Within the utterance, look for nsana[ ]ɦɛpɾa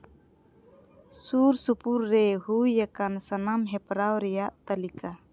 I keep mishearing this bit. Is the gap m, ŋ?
m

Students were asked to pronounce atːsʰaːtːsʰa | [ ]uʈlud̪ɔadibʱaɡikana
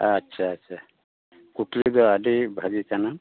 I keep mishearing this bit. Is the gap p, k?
k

